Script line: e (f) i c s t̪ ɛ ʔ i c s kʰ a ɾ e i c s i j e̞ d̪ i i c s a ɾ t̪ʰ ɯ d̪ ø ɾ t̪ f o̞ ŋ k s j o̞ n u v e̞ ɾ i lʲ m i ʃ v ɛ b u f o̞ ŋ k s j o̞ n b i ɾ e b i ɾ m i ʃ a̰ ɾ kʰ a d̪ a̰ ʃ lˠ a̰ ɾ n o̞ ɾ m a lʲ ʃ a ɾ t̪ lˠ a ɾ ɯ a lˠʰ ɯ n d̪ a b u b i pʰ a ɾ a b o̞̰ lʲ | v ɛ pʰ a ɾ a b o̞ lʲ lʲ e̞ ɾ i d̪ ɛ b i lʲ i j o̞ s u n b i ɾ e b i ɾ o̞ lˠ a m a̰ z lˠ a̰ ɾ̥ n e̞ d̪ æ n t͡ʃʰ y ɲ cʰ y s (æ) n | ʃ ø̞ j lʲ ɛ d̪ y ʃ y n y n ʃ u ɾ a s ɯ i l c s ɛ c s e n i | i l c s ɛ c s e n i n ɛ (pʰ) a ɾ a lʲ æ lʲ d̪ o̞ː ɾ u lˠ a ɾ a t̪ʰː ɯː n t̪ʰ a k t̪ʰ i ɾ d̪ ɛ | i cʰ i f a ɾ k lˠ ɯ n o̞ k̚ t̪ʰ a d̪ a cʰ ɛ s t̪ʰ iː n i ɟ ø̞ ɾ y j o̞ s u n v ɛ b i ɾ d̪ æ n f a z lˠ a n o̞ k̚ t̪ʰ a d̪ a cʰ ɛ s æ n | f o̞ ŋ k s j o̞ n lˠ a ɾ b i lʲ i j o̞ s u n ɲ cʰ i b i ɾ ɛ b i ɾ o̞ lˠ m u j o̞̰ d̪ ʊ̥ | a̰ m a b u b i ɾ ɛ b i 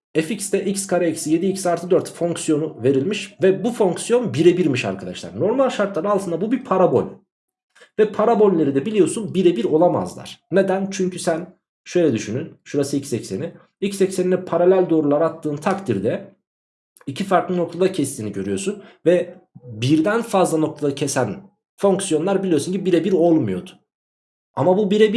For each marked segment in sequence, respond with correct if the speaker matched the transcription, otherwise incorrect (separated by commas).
correct, correct, correct